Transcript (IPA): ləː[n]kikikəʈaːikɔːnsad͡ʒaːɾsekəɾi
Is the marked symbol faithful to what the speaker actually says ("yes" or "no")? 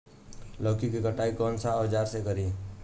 no